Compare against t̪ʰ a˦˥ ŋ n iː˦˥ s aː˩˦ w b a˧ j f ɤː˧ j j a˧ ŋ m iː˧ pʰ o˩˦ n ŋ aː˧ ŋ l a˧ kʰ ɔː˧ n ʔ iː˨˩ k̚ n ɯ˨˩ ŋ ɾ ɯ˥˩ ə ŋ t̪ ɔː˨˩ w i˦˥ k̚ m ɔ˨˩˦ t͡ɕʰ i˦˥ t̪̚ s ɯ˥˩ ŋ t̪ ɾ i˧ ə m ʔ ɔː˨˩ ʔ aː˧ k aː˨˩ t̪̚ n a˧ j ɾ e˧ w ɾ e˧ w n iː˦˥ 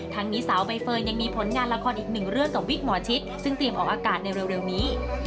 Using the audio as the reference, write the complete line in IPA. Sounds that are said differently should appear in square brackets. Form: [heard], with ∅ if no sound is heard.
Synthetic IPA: t̪ʰ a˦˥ ŋ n iː˦˥ s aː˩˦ w b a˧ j f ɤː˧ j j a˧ ŋ m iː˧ pʰ o˩˦ n ŋ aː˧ [n] l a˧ kʰ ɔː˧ n ʔ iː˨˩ k̚ n ɯ˨˩ ŋ ɾ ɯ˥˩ ə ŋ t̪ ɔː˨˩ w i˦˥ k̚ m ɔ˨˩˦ t͡ɕʰ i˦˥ t̪̚ s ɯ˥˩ ŋ t̪ ɾ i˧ ə m ʔ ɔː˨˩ ʔ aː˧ k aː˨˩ t̪̚ n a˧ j ɾ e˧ w ɾ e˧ w n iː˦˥